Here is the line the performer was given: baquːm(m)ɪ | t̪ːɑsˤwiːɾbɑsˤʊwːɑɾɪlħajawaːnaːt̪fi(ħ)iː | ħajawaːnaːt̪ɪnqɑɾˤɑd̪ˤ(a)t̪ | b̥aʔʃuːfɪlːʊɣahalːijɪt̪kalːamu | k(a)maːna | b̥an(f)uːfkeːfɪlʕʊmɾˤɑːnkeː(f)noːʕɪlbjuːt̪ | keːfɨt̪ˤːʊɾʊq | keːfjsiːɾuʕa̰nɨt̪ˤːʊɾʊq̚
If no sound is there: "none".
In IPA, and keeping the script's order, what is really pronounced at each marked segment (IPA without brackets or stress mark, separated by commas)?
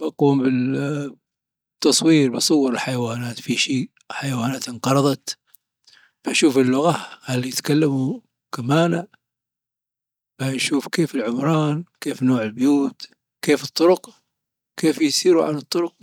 b, ʃ, ɑ, a, ʃ, f